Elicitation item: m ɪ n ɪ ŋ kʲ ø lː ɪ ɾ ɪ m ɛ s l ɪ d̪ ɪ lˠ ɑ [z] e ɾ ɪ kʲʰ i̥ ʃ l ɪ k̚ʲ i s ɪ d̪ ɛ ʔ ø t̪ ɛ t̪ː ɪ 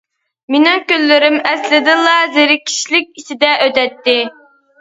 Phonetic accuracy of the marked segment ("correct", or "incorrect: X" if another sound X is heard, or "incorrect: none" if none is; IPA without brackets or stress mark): correct